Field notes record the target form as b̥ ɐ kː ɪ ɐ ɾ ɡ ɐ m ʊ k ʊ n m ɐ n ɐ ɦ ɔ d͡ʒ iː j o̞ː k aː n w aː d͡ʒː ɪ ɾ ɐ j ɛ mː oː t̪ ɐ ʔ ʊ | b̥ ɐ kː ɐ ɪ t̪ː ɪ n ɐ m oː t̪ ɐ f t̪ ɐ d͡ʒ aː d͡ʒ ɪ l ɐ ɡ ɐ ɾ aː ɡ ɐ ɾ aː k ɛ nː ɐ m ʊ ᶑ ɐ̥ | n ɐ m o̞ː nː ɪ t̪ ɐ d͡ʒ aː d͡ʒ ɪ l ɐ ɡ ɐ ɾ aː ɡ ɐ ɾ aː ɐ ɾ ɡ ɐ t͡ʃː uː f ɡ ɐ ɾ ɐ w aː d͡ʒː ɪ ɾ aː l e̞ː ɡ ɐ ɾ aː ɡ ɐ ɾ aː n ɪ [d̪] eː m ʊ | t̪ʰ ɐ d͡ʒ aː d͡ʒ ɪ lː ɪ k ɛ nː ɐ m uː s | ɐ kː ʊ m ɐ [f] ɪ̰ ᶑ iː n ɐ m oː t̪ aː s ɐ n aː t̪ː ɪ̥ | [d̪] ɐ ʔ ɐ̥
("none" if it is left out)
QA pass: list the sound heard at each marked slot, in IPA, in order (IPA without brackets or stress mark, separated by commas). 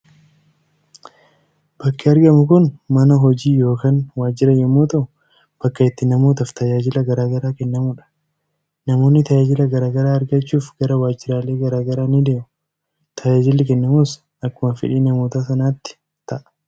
d̪, f, t̪